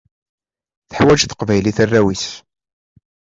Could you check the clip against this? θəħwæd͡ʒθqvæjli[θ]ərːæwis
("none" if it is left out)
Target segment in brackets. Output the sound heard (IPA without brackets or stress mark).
θ